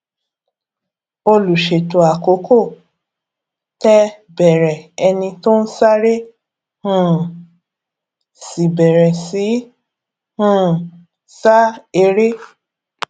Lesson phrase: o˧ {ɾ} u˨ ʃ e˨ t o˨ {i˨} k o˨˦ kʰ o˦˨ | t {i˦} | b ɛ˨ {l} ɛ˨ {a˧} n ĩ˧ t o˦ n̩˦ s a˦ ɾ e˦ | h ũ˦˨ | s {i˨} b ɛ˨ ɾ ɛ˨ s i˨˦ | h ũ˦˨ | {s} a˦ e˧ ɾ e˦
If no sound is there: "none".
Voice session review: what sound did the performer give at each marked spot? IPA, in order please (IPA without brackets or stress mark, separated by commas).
l, a˨, ɛ˦, ɾ, ɛ˧, i˨, s